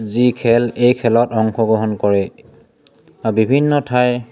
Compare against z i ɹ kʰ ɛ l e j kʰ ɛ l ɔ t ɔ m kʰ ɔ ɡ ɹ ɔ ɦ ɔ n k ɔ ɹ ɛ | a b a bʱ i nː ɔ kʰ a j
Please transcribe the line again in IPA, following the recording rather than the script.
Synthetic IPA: z i kʰ ɛ l e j kʰ ɛ l ɔ t ɔ ŋ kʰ ɔ ɡ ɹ ɔ ɦ ɔ n k ɔ ɹ ɛ | a b i bʱ i nː ɔ tʰ a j